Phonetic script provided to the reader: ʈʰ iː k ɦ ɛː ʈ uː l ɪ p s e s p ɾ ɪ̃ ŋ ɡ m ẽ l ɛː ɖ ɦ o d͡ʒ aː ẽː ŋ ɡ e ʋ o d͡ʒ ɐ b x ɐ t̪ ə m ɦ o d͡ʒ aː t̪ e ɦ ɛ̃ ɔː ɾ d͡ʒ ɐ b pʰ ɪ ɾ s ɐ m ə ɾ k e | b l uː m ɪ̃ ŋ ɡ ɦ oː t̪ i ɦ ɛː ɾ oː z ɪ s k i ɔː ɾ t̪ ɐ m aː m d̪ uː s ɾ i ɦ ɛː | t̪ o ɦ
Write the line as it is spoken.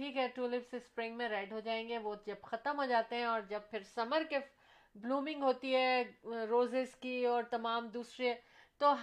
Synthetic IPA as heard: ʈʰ iː k ɦ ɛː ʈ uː l ɪ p s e s p ɾ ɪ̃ ŋ ɡ m ẽ ɾ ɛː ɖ ɦ o d͡ʒ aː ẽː ŋ ɡ e ʋ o d͡ʒ ɐ b x ɐ t̪ ə m ɦ o d͡ʒ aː t̪ e ɦ ɛ̃ ɔː ɾ d͡ʒ ɐ b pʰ ɪ ɾ s ɐ m ə ɾ k e | b l uː m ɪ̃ ŋ ɡ ɦ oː t̪ i ɦ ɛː ɾ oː z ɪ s k i ɔː ɾ t̪ ɐ m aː m d̪ uː s ɾ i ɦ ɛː | t̪ o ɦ